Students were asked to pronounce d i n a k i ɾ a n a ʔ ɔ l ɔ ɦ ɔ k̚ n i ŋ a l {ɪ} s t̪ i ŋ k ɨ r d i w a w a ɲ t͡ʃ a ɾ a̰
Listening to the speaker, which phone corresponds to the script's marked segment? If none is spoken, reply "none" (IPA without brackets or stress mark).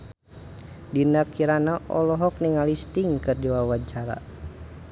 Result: i